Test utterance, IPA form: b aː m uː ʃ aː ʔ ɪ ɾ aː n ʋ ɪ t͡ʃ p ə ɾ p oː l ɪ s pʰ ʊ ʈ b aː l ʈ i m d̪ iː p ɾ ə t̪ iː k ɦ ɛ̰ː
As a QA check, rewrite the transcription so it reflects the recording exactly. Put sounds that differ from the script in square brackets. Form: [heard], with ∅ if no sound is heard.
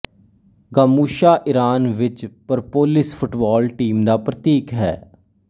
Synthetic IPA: [ɡ] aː m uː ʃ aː ʔ ɪ ɾ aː n ʋ ɪ t͡ʃ p ə ɾ p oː l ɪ s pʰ ʊ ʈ b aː l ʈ [iː] m d̪ [aː] p ɾ ə t̪ iː k ɦ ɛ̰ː